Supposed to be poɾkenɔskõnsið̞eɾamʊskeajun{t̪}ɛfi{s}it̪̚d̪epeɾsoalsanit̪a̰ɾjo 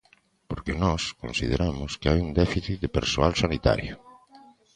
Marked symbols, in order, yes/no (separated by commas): no, no